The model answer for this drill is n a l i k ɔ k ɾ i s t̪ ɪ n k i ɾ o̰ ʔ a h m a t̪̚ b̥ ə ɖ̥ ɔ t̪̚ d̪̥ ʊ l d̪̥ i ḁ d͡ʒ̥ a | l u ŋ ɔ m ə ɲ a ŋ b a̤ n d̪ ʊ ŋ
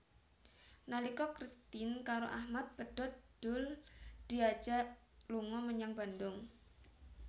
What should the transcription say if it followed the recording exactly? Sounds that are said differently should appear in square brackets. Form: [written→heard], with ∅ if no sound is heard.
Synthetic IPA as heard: n a l i k ɔ k ɾ i s t̪ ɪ n k [i→a] ɾ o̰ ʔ a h m a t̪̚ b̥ ə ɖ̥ ɔ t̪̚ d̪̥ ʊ l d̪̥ i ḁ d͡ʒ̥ a | l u ŋ ɔ m ə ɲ a ŋ b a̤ n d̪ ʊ ŋ